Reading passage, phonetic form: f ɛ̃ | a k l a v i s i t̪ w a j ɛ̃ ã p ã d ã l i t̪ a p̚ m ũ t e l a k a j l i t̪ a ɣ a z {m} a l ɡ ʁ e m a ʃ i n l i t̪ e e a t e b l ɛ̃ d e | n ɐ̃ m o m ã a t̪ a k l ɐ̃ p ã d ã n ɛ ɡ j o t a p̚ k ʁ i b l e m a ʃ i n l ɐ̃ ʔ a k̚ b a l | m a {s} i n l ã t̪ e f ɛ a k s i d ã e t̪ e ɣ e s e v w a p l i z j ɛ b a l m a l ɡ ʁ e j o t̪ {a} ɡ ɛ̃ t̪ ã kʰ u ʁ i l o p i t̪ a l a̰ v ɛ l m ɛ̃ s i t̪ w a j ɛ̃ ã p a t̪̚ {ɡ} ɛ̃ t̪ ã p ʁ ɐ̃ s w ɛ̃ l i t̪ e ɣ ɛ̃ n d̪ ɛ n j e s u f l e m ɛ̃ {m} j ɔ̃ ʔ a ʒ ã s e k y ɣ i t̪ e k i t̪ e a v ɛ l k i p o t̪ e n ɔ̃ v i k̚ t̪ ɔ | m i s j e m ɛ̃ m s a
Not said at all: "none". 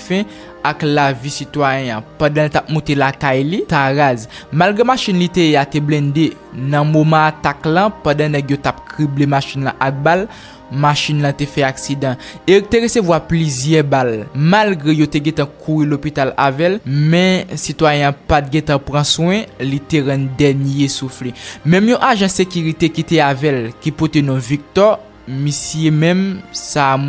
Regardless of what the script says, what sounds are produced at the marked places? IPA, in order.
m, ʃ, e, ɡ, m

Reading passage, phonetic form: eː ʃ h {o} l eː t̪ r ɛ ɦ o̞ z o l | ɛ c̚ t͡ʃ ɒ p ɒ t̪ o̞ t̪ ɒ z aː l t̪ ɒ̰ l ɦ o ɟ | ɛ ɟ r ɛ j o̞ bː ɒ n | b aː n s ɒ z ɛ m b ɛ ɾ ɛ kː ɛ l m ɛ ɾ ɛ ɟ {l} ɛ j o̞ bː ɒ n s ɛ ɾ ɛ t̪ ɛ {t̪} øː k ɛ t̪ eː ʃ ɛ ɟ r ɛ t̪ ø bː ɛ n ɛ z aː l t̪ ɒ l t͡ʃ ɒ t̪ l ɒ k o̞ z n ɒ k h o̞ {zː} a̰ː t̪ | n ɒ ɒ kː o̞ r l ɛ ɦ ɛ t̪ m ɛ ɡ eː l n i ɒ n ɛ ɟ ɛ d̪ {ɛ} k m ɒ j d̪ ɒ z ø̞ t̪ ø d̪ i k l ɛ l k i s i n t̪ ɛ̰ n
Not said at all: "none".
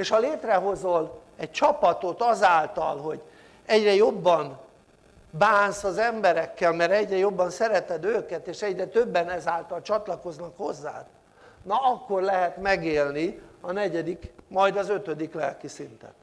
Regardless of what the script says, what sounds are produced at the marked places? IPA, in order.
ɒ, r, d̪, zː, i

